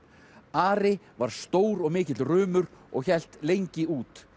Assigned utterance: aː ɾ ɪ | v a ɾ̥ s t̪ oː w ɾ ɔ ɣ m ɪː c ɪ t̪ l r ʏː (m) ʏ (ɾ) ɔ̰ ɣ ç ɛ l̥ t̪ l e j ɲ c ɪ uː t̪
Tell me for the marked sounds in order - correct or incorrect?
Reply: correct, correct

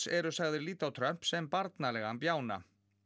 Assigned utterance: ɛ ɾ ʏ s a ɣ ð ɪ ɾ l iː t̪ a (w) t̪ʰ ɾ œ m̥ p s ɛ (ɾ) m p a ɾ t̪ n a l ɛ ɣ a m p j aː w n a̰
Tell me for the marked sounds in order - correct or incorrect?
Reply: correct, incorrect

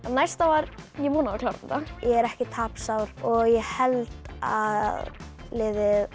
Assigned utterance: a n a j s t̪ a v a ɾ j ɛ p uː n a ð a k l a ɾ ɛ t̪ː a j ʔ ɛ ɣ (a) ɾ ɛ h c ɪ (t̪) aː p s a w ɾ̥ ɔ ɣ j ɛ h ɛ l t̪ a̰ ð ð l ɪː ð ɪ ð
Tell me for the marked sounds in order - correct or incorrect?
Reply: incorrect, incorrect

